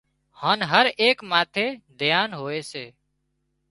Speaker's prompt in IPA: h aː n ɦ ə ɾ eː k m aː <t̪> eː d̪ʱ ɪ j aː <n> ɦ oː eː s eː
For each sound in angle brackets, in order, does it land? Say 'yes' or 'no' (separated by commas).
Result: no, yes